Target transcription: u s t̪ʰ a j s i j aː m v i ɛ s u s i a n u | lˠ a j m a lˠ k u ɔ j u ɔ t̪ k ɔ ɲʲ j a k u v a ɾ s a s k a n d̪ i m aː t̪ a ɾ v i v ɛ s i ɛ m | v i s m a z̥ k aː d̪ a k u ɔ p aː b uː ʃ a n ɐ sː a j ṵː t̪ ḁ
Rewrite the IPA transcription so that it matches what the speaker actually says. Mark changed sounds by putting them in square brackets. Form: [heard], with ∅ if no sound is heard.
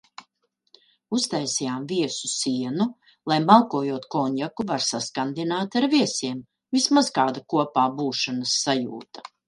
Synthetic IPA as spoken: u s [t̪] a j s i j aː m v i ɛ s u s i [ɛ] n u | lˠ a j m a lˠ k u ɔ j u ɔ t̪ k ɔ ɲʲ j a k u v a ɾ s a s k a n d̪ i [n] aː t̪ a ɾ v i [∅] ɛ s i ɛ m | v i s m a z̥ k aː d̪ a k u ɔ p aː b uː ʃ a n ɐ sː a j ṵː t̪ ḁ